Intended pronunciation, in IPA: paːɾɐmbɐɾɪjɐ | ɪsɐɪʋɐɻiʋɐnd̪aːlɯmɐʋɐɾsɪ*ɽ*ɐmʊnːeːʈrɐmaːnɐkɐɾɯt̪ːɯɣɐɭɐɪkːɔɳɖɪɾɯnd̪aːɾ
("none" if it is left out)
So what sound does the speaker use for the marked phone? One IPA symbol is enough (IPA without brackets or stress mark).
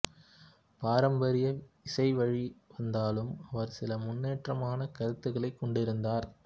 l